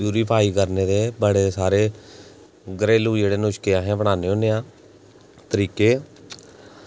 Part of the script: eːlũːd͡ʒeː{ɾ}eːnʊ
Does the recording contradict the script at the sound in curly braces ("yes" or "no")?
yes